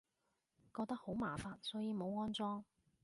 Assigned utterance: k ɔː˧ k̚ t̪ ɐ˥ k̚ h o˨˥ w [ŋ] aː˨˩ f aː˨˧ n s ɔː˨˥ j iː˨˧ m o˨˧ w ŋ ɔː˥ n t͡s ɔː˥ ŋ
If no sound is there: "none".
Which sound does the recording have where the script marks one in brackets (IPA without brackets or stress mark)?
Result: m